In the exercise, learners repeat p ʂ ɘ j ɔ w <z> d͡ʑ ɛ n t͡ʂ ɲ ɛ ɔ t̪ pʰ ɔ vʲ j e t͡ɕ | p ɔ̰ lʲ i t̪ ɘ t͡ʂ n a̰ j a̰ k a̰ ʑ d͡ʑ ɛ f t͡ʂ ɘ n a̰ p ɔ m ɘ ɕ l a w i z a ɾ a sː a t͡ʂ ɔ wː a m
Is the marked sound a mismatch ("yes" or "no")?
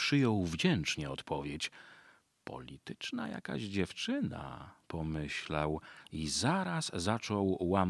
yes